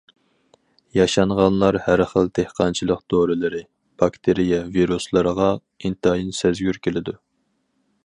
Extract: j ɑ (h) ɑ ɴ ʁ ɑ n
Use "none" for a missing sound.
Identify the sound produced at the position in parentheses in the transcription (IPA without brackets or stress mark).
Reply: ʃ